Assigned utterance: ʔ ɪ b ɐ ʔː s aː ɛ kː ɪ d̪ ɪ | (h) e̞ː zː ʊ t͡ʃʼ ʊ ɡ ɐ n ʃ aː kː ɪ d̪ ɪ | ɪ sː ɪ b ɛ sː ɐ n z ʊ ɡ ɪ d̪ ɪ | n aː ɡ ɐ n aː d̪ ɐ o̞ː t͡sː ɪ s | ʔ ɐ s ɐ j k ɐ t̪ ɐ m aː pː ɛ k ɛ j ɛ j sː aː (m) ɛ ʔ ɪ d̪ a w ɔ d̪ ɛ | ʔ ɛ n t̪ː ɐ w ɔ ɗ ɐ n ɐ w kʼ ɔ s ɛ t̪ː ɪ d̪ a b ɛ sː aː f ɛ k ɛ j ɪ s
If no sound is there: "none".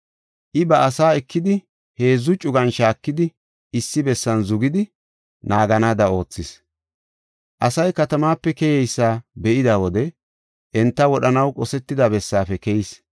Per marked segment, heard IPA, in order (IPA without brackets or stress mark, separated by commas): h, b